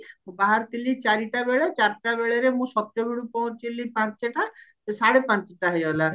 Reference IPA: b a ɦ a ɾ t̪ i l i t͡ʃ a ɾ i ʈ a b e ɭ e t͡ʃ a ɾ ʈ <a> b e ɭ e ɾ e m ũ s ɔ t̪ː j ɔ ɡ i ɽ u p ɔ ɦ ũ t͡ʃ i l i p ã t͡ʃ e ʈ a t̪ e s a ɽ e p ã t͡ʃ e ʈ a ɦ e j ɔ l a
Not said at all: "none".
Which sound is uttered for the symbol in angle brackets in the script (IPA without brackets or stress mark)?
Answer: a